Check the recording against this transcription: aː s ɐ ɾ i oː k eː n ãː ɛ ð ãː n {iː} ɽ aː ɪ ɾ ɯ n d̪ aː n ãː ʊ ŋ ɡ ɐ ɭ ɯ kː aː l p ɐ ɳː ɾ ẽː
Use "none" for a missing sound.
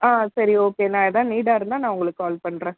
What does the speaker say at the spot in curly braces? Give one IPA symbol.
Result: iː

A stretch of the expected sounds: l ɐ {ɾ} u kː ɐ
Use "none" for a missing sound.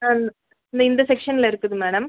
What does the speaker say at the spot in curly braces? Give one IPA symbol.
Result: ɾ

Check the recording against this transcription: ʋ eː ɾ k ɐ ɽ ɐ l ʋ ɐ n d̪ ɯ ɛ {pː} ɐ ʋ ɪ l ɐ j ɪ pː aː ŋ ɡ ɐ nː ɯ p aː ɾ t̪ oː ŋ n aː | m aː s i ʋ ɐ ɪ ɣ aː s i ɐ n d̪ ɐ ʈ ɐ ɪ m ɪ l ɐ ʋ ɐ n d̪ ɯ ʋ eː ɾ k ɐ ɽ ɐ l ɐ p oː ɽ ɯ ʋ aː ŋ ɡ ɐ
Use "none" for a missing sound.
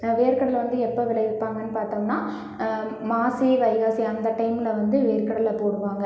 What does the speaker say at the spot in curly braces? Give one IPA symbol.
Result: pː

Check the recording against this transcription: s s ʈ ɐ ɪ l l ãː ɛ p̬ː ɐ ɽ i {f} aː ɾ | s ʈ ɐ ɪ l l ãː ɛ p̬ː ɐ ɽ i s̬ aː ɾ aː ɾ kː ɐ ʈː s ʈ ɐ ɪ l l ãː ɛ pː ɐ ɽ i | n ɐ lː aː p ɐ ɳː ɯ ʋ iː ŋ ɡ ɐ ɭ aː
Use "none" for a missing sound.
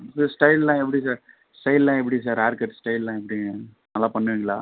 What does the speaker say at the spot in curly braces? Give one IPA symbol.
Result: s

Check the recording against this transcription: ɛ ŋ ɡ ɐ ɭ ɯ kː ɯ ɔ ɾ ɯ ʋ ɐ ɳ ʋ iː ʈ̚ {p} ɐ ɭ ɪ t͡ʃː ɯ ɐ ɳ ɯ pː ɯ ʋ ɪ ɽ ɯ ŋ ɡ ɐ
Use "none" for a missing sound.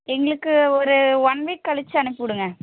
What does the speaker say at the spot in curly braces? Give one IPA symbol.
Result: k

